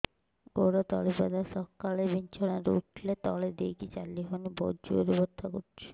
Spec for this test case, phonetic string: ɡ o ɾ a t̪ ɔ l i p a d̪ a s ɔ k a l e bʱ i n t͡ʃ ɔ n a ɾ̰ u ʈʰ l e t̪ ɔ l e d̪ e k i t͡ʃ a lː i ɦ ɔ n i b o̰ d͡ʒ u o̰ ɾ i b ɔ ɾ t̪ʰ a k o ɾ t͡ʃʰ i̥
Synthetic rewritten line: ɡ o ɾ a t̪ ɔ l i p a d̪ a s ɔ k a l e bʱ i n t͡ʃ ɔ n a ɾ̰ u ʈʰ l e t̪ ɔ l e d̪ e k i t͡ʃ a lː i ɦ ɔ n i b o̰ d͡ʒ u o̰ ɾ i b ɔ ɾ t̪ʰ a k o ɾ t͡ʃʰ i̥